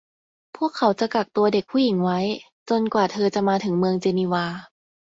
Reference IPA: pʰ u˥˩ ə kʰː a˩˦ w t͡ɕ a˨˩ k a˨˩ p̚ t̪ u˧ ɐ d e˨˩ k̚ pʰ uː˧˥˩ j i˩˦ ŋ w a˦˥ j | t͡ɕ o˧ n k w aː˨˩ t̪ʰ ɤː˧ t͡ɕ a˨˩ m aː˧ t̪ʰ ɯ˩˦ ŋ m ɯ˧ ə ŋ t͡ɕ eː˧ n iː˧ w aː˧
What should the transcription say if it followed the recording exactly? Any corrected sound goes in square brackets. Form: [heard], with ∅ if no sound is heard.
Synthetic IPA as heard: pʰ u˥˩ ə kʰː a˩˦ w t͡ɕ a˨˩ k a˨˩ [k̚] t̪ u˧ ɐ d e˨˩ k̚ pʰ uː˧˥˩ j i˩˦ ŋ w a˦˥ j | t͡ɕ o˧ n k w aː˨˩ t̪ʰ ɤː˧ t͡ɕ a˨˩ m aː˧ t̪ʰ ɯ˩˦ ŋ m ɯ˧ ə ŋ t͡ɕ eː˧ n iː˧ w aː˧